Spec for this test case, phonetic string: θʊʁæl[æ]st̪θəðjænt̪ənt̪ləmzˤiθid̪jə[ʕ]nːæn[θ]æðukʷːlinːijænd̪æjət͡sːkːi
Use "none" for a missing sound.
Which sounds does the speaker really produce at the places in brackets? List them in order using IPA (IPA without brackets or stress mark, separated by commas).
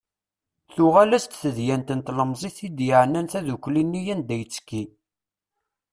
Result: æ, ʕ, θ